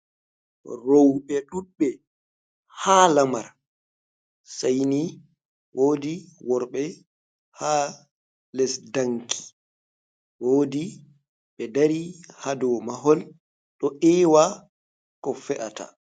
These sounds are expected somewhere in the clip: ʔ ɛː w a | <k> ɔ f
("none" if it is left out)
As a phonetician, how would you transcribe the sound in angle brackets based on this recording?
k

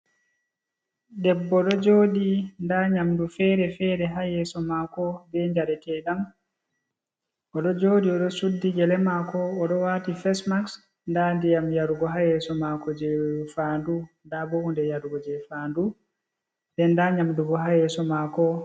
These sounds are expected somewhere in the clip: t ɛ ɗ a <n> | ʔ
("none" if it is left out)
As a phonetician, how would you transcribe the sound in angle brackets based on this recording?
m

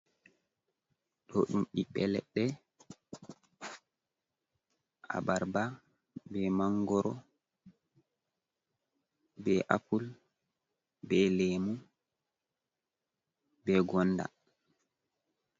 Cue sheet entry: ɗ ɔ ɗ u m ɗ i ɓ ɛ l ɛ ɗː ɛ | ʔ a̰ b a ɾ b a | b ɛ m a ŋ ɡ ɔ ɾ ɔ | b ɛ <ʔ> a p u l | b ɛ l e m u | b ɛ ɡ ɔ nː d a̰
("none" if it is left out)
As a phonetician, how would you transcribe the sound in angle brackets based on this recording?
ʔ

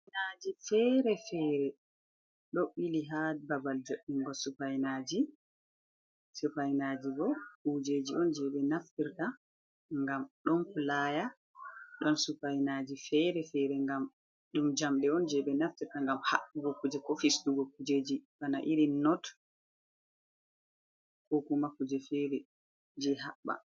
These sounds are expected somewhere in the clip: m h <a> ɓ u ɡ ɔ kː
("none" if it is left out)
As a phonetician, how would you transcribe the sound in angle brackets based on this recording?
a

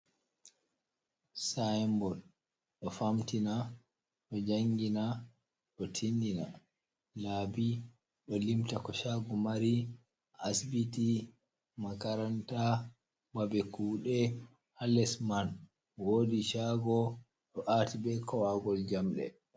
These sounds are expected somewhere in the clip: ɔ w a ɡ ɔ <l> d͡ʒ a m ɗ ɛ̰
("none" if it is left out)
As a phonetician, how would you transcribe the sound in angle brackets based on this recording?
l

